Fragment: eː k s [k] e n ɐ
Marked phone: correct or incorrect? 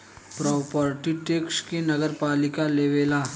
correct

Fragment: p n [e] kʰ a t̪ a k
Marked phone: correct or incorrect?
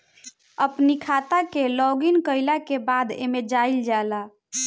incorrect: i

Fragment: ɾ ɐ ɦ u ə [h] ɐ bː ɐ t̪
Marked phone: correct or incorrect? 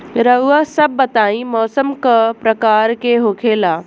incorrect: s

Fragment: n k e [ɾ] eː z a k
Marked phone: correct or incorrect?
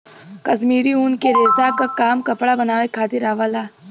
correct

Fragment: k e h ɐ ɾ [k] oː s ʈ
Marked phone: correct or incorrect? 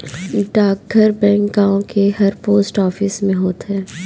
incorrect: p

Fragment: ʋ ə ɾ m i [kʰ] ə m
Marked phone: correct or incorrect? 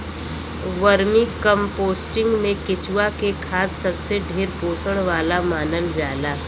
incorrect: k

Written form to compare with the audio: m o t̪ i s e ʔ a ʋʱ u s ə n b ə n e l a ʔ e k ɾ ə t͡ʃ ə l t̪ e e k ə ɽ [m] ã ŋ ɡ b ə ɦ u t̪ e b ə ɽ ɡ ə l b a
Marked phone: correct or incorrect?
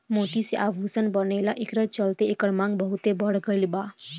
correct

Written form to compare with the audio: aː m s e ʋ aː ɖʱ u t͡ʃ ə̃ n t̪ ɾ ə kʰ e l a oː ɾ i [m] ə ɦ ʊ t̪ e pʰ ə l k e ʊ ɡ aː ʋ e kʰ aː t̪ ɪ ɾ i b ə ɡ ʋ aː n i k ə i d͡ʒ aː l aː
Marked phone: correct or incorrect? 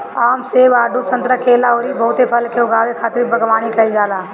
incorrect: b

